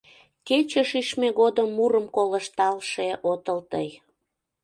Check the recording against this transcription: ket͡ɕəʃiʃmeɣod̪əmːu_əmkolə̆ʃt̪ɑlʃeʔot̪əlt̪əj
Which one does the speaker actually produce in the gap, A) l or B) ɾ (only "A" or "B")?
B